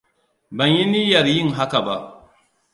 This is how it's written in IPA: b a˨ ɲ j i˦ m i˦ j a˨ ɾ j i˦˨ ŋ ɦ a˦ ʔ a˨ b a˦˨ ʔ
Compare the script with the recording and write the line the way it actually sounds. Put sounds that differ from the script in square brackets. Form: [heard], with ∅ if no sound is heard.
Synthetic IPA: b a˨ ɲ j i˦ [n] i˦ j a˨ ɾ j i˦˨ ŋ ɦ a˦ [k] a˨ b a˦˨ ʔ